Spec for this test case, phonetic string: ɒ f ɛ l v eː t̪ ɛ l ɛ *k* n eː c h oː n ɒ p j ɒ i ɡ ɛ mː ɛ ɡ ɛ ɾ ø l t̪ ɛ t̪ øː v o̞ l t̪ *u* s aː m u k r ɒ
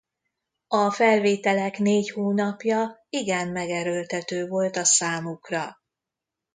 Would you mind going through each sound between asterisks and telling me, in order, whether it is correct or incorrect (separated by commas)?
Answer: correct, incorrect